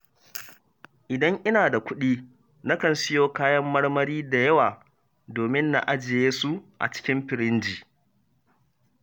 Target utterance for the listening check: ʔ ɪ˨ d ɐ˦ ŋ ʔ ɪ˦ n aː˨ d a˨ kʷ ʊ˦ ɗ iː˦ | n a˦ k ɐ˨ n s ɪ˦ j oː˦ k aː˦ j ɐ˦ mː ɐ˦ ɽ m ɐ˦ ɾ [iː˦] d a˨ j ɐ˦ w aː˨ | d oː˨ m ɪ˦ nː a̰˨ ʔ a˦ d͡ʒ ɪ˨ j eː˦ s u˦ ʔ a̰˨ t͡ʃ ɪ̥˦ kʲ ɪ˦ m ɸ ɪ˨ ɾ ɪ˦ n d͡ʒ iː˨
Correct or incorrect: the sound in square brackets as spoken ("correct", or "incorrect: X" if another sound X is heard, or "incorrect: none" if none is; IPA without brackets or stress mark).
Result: correct